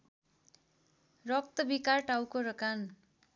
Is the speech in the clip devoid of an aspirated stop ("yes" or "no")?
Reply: yes